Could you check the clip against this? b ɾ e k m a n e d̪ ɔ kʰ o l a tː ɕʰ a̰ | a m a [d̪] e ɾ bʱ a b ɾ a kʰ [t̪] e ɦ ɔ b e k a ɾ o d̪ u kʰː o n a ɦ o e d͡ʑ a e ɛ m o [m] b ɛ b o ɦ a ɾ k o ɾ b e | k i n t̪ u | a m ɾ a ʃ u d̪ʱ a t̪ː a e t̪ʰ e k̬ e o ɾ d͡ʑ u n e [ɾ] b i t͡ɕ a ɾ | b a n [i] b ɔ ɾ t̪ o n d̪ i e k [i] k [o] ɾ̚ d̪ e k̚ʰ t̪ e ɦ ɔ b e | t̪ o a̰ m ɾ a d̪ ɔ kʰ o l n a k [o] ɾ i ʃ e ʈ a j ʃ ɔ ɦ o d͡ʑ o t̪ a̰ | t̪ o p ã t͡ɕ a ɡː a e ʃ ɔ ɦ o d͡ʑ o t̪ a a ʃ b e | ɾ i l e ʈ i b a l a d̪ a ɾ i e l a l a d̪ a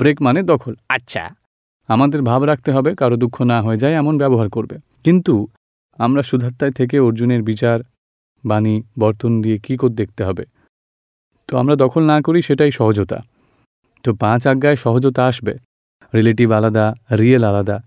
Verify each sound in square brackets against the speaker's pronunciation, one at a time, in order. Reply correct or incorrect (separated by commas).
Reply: correct, correct, incorrect, correct, correct, correct, correct, correct